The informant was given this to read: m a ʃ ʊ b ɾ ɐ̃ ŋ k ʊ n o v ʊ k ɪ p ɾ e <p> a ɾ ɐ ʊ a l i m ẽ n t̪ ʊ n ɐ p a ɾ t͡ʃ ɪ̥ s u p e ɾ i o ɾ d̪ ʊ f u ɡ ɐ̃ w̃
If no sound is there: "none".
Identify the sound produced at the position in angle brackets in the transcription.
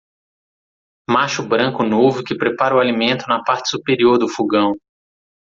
p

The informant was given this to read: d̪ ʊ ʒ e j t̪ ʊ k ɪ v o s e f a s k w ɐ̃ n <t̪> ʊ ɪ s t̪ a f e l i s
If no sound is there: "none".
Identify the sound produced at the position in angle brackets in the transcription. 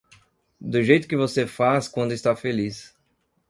d̪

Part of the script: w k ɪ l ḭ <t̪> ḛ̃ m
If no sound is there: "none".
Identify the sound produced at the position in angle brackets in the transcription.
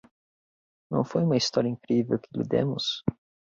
d̪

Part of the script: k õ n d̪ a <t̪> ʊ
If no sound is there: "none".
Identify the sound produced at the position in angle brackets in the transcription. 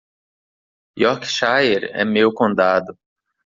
d̪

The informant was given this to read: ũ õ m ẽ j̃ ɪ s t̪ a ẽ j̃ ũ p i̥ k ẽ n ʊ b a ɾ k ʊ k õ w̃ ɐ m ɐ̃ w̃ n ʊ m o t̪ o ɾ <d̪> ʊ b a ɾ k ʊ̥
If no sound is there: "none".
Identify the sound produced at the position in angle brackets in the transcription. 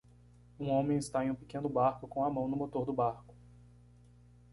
d̪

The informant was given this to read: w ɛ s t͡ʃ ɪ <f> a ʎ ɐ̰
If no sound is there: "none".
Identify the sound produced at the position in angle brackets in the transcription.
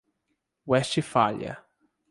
f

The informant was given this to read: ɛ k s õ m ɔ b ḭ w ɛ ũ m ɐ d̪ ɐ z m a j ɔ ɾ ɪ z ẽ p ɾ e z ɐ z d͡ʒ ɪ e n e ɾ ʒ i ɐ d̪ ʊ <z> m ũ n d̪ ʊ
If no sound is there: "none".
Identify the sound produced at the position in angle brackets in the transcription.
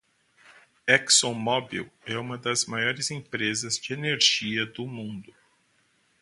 none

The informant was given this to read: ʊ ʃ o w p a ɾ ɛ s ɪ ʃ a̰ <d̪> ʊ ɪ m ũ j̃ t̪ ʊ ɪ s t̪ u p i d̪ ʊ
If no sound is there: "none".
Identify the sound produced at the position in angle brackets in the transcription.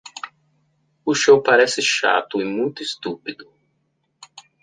t̪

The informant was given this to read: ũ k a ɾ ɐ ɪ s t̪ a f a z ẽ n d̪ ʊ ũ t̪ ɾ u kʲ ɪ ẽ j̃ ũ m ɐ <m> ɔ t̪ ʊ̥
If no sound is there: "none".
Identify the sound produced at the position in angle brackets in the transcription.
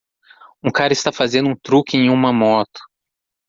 m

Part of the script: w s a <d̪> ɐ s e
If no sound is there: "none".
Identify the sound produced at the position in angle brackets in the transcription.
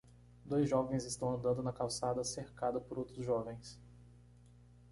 d̪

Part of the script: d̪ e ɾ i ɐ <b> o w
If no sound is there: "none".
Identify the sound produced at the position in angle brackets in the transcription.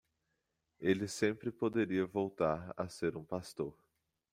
v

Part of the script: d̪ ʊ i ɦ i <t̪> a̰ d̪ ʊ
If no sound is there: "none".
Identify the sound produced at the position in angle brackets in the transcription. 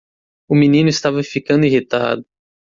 t̪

